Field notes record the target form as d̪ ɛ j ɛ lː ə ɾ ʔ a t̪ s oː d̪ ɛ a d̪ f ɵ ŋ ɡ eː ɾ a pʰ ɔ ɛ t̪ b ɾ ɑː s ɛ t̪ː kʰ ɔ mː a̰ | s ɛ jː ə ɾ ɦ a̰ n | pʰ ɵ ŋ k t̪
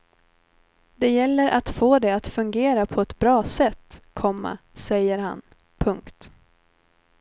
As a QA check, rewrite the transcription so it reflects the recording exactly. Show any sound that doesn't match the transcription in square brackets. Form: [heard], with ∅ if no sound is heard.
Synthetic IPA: d̪ ɛ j ɛ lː ə ɾ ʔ a t̪ [f] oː d̪ ɛ a [t̪] f ɵ ŋ ɡ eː ɾ a pʰ ɔ ɛ t̪ b ɾ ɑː s ɛ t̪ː kʰ ɔ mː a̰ | s ɛ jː ə ɾ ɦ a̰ n | pʰ ɵ ŋ k t̪